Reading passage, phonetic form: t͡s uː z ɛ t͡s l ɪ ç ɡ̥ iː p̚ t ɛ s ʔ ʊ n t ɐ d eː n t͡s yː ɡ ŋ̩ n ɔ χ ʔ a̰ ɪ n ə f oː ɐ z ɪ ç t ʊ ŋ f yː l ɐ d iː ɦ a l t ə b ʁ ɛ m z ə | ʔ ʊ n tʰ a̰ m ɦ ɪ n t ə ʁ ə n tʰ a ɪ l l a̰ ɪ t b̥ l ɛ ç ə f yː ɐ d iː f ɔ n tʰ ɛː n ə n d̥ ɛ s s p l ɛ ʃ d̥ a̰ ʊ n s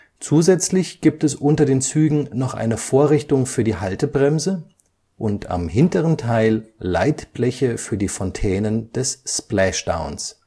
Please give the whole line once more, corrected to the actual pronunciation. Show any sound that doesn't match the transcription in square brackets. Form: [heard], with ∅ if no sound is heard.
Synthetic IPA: t͡s uː z ɛ t͡s l ɪ ç ɡ̥ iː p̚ t ɛ s ʔ ʊ n t ɐ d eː n t͡s yː ɡ ŋ̩ n ɔ χ ʔ a̰ ɪ n ə f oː ɐ [ʁ] ɪ ç t ʊ ŋ f yː [∅] ɐ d iː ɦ a l t ə b ʁ ɛ m z ə | ʔ ʊ n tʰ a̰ m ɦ ɪ n t ə ʁ ə n tʰ a ɪ l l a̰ ɪ t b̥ l ɛ ç ə f yː ɐ d iː f ɔ n tʰ ɛː n ə n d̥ ɛ s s p l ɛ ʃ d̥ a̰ ʊ n s